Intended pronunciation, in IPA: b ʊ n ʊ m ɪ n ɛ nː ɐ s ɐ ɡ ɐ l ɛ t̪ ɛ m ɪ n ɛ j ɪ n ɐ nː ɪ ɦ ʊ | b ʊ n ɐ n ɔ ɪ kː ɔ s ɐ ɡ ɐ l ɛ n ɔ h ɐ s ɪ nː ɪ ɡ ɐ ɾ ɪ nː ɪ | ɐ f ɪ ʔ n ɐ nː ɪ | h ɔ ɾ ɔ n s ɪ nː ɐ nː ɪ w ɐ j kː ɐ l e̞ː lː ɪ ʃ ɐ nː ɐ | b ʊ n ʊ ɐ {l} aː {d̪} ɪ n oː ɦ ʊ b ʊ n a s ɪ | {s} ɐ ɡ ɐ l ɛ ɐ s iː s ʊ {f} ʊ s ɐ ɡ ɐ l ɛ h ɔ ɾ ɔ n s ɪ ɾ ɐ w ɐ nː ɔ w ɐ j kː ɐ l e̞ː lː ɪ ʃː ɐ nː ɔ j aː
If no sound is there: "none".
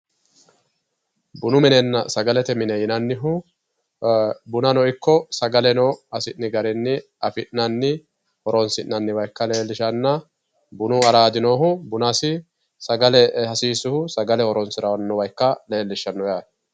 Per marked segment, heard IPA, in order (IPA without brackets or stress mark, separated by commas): ɾ, d̪, s, h